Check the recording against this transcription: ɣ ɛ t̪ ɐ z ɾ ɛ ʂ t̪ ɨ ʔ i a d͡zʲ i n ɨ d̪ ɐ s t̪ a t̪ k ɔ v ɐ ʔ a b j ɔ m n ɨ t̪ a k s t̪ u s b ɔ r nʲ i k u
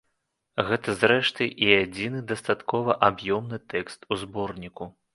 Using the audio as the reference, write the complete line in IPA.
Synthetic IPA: ɣ ɛ t̪ ɐ z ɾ ɛ ʂ t̪ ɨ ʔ i a d͡zʲ i n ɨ d̪ ɐ s t̪ a t̪ k ɔ v ɐ ʔ a b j ɔ m n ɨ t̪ ɛ k s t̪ u z b ɔ r nʲ i k u